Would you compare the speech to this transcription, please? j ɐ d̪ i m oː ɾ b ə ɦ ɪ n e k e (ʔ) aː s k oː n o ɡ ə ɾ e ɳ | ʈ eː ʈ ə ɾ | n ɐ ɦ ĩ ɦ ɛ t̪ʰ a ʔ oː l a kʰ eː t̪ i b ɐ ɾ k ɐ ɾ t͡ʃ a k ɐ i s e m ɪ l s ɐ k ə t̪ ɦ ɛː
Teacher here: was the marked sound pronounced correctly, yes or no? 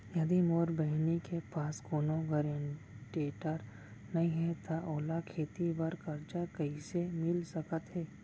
no